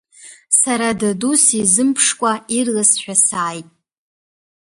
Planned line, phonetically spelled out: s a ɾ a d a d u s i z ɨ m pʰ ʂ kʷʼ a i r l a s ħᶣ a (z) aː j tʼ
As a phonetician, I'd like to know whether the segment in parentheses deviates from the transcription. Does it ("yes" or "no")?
yes